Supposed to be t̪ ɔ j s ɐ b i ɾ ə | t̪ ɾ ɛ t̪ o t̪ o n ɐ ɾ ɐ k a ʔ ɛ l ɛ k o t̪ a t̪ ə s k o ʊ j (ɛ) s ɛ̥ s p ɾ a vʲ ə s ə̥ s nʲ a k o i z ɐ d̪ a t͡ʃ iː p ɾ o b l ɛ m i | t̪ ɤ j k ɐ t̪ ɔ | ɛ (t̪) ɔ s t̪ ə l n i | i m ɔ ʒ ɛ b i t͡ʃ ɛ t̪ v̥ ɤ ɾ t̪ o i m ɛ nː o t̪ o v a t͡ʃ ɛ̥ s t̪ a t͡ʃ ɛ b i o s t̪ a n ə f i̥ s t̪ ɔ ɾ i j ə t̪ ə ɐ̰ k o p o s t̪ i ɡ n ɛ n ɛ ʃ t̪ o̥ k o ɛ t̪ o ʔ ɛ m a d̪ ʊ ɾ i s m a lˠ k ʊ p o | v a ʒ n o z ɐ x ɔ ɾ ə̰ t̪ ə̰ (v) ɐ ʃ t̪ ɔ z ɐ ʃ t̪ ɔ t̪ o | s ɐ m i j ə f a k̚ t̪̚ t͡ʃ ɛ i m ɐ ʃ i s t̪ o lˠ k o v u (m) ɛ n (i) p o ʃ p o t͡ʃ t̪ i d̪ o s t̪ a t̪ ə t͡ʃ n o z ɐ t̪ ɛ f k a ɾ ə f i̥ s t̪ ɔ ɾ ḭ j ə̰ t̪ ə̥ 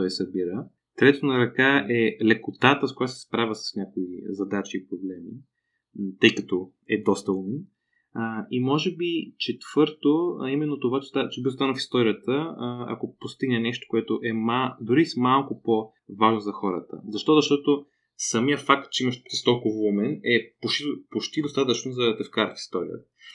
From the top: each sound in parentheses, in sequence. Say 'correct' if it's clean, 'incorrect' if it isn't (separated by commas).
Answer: incorrect, incorrect, incorrect, correct, incorrect